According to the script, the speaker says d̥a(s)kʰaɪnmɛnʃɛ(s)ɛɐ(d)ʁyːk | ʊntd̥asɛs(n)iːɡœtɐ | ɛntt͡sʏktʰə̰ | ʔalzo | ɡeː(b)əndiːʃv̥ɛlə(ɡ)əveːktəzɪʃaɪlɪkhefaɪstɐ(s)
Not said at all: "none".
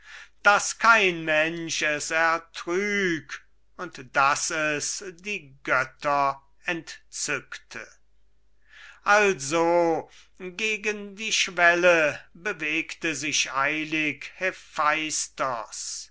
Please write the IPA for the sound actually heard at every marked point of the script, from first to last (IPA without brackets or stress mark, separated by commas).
s, s, t, d, ɡ, b, s